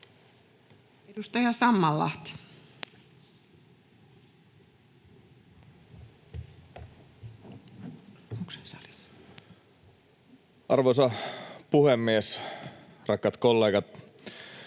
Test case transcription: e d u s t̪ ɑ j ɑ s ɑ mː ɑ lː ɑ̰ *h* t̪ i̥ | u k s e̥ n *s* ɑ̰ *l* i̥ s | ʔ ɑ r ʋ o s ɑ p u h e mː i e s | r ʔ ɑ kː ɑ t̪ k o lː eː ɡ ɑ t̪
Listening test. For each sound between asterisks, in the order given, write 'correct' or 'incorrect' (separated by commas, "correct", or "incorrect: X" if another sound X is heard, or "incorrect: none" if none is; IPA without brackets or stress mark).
correct, correct, correct